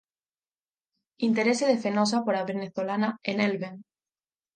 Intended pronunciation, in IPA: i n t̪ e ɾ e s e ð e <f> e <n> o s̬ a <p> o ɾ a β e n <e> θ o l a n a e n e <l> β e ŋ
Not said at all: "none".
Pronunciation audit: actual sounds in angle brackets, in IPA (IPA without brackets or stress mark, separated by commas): f, n, p, e, l